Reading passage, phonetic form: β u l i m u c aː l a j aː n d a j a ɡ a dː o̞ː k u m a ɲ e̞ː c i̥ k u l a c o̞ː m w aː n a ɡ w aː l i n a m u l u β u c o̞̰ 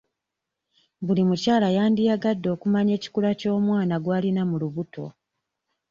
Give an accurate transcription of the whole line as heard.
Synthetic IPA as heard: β u l i m u c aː l a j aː n d i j a ɡ a dː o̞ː k u m a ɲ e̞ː c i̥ k u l a c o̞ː m w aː n a ɡ w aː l i n a m u l u β u t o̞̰